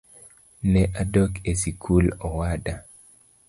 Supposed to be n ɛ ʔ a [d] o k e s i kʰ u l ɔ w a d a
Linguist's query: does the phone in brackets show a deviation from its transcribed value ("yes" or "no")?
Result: no